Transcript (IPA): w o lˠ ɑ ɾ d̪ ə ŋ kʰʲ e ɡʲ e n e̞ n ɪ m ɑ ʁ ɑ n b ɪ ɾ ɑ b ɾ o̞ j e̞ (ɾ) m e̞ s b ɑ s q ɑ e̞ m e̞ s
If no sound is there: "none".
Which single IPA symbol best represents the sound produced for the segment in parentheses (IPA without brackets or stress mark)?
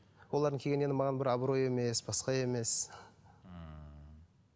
none